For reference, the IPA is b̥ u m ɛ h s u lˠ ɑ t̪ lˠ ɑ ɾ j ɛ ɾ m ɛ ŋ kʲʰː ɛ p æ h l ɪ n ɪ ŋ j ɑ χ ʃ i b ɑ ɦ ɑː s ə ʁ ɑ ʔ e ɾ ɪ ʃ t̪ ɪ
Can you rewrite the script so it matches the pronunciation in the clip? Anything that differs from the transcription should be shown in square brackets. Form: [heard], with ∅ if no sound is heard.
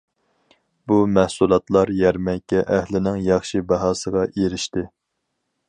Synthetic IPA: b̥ u m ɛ h s u lˠ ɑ t̪ lˠ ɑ ɾ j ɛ ɾ m ɛ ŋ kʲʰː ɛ [ʔ] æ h l ɪ n ɪ ŋ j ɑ χ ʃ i b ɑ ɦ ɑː s ə ʁ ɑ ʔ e ɾ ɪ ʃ t̪ ɪ